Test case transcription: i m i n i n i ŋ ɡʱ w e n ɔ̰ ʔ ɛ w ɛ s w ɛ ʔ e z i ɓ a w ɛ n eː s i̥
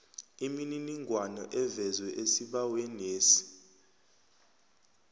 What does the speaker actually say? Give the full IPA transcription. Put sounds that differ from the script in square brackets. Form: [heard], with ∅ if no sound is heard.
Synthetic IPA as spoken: i m i n i n i ŋ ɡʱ w [a] n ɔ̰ ʔ ɛ [v] ɛ [z] w ɛ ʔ e [s] i ɓ a w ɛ n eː s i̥